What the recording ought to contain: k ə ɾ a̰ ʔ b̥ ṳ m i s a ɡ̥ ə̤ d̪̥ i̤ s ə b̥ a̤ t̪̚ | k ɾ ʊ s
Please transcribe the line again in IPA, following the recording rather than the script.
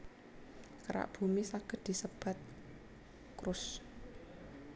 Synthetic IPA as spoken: k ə ɾ a̰ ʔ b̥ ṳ m i s a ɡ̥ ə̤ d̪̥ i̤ s ə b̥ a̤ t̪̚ | k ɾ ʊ s